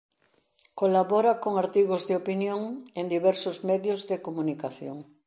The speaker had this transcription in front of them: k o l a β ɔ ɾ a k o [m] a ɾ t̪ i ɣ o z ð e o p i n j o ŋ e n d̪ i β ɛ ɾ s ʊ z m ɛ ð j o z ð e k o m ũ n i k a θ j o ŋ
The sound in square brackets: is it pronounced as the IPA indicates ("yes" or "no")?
no